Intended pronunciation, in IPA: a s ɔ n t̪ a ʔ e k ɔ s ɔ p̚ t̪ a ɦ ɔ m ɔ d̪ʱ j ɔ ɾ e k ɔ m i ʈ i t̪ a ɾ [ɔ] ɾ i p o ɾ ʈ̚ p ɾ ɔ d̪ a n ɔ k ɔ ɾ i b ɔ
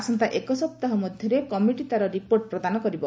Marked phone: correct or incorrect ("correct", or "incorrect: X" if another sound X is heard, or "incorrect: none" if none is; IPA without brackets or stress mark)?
correct